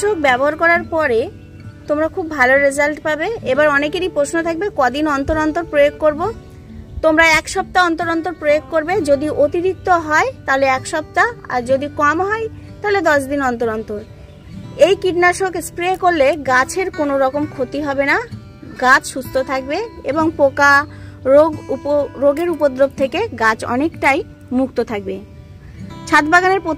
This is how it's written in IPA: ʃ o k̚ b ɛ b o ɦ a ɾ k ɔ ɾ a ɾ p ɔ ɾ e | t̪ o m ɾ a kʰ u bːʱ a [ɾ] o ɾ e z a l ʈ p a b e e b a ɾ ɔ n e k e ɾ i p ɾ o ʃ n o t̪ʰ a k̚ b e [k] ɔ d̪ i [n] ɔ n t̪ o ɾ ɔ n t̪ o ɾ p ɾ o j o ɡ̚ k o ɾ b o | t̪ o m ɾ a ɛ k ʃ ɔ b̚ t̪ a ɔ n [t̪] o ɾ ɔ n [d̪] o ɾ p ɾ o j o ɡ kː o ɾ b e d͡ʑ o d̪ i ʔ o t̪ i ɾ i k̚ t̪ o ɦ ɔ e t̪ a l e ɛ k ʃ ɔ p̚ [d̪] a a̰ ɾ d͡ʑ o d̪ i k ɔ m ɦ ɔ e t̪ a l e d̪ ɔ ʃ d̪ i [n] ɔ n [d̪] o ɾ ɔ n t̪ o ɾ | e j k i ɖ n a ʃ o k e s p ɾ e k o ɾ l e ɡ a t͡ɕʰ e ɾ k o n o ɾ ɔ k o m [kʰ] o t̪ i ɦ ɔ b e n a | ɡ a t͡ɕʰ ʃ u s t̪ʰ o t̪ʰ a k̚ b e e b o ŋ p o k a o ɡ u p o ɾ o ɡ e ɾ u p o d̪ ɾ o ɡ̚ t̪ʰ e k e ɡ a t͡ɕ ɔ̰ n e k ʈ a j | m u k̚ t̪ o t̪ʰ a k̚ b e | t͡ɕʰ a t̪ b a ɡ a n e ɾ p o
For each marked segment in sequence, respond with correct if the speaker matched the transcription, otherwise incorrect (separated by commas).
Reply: incorrect, correct, correct, correct, incorrect, incorrect, correct, incorrect, correct